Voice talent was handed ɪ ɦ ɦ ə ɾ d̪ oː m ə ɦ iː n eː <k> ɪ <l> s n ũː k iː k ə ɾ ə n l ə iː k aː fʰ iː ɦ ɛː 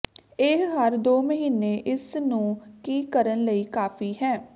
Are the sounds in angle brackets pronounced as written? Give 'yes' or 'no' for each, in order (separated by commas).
no, no